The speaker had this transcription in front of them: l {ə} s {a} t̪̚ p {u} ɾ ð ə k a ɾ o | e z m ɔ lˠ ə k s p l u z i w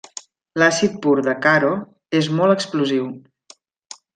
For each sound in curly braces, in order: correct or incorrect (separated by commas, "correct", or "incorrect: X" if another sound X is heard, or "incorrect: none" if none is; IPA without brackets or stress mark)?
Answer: incorrect: a, incorrect: i, correct